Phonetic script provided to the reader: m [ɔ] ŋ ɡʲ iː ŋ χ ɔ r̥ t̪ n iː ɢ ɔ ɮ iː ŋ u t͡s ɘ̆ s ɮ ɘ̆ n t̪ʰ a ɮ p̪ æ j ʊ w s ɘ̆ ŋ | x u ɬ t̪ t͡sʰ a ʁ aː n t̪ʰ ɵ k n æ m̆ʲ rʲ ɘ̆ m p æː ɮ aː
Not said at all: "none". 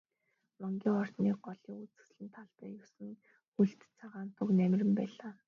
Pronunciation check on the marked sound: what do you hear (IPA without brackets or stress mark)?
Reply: ɔ